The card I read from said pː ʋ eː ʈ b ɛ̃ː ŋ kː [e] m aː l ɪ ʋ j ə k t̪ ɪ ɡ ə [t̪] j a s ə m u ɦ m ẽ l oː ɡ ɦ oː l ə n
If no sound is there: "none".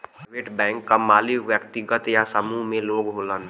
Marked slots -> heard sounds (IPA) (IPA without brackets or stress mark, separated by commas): a, t̪